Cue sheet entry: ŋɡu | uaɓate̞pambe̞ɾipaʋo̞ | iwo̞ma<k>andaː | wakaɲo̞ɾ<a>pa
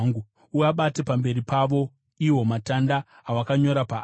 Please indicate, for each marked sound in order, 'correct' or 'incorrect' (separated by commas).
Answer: incorrect, correct